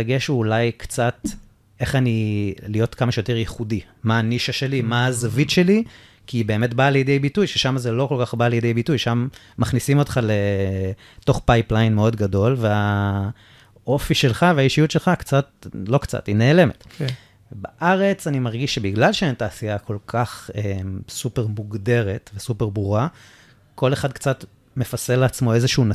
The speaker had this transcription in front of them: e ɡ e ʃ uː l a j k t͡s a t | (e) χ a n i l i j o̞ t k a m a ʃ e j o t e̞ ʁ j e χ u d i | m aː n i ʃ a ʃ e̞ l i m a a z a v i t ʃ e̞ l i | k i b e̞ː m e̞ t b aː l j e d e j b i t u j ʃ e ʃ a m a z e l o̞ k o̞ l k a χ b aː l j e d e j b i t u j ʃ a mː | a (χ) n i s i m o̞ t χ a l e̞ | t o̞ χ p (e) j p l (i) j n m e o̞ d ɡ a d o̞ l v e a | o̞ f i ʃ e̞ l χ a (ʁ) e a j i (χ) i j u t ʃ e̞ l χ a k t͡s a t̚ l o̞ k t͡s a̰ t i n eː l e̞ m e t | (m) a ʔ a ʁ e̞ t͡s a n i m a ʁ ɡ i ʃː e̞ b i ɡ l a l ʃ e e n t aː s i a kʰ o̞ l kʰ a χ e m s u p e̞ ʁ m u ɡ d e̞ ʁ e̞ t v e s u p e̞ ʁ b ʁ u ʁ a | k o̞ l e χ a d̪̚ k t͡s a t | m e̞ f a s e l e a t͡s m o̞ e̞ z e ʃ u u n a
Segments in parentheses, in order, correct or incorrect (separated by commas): correct, correct, incorrect, incorrect, incorrect, incorrect, incorrect